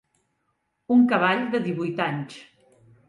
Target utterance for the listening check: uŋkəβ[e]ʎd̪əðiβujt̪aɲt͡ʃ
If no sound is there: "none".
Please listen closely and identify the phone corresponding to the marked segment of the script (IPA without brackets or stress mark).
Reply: a